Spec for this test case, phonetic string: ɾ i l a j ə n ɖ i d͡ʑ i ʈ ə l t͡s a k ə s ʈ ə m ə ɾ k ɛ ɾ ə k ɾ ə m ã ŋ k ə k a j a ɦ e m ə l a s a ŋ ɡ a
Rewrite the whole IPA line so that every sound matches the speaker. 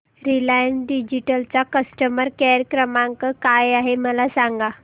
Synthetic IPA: ɾ i l a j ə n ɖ i d͡ʑ i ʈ ə l t͡s a k ə s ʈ ə m ə ɾ k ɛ ɾ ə k ɾ ə m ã ŋ k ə k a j a ɦ e m ə l a s a ŋ ɡ a